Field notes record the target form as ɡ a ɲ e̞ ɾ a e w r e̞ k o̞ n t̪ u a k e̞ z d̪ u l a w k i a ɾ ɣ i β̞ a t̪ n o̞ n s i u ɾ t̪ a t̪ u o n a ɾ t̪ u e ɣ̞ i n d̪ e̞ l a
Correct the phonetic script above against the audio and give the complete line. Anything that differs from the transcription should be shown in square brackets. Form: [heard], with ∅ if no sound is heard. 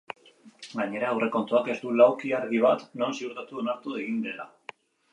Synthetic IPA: ɡ a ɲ e̞ ɾ a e w r e̞ k o̞ n t̪ u a k e̞ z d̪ u l a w k i a ɾ ɣ i β̞ a t̪ n o̞ n s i u ɾ t̪ a t̪ u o n a ɾ t̪ u e ɣ̞ i n d̪ e̞ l a